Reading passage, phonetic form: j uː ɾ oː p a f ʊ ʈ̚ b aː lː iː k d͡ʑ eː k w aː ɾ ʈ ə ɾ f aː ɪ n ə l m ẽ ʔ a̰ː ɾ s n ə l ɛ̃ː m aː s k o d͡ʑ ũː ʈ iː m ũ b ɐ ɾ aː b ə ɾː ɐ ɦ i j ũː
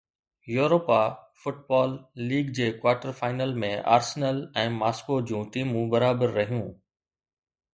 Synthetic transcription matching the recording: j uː ɾ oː p a f ʊ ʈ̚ b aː lː iː ɡ d͡ʑ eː k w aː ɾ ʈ ə ɾ f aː ɪ n ə l m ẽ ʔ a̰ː ɾ s n ə l ɛ̃ː m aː s k o d͡ʑ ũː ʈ iː m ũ b ɐ ɾ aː b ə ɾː ɐ ɦ i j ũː